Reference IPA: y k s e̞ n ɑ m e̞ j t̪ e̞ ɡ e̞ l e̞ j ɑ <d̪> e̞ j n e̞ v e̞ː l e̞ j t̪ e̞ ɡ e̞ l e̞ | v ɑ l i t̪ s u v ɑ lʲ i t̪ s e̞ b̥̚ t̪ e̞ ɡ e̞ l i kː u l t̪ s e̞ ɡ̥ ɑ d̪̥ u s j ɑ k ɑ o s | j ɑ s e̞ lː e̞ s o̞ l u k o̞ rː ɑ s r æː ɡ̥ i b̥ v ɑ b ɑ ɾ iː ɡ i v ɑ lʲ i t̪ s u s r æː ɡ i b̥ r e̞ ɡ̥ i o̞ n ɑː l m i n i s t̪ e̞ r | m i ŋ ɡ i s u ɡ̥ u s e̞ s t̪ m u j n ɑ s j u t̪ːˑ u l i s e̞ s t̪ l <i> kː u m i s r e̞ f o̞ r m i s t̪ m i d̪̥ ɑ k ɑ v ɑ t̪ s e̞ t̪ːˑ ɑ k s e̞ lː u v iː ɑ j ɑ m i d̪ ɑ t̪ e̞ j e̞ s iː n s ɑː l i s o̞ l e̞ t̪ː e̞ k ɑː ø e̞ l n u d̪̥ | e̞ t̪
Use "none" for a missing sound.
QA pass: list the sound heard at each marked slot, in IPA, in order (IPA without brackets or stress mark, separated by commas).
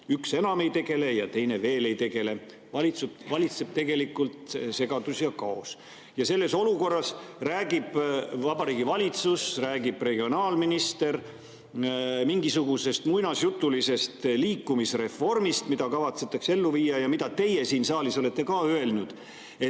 t̪, iː